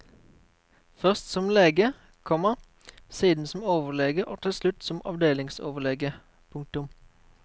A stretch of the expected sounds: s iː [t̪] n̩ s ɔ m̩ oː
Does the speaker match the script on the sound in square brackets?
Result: no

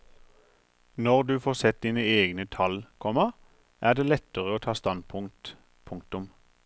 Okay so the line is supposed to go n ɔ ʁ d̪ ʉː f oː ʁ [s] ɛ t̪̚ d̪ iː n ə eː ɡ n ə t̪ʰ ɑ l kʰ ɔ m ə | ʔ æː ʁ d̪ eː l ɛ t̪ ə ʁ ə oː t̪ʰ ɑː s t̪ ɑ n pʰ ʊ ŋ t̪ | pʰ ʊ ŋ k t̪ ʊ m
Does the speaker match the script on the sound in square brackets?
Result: yes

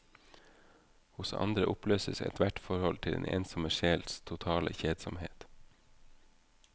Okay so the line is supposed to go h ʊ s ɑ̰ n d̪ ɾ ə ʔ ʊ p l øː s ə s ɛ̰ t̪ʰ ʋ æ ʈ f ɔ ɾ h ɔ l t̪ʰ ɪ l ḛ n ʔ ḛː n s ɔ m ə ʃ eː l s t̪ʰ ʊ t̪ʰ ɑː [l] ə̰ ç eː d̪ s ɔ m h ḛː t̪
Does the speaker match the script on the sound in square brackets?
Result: yes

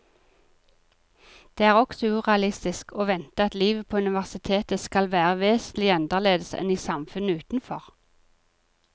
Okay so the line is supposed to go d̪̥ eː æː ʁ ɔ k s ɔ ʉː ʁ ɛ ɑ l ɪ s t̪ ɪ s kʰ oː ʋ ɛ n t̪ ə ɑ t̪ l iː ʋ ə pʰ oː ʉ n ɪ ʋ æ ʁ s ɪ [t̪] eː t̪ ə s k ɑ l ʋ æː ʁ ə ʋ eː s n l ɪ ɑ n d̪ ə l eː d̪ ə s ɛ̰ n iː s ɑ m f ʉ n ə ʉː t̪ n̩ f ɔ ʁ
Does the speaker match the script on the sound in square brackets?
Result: no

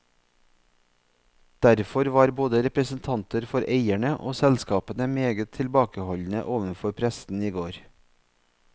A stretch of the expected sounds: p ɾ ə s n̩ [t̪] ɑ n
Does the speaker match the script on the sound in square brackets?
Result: no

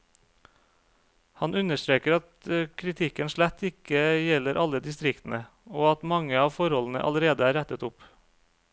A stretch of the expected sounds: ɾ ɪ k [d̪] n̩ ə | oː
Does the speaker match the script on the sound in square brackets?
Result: no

